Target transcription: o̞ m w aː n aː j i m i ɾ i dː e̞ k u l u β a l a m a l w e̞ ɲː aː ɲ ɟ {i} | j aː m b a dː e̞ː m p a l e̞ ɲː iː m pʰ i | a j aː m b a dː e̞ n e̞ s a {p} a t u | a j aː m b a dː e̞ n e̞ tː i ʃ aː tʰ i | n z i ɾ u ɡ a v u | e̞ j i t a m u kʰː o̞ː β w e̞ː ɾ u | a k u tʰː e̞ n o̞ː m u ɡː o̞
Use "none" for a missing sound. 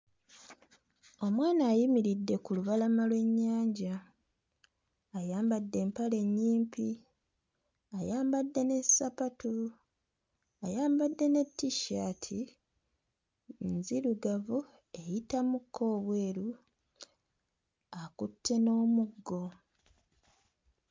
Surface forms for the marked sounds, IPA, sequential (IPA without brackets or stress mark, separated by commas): a, p